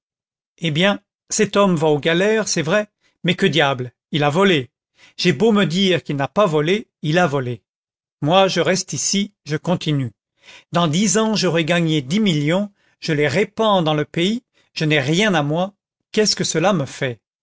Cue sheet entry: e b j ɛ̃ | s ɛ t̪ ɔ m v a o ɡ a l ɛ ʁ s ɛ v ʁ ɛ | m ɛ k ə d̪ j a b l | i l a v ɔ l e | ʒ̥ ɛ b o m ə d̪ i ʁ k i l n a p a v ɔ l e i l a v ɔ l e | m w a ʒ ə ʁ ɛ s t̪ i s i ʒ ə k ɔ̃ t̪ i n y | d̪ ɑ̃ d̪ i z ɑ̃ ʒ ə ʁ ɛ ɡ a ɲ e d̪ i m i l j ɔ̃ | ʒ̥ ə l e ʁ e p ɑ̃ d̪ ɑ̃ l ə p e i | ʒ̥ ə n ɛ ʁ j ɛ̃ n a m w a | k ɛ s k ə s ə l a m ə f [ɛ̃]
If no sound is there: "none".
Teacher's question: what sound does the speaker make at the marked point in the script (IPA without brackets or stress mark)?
ɛ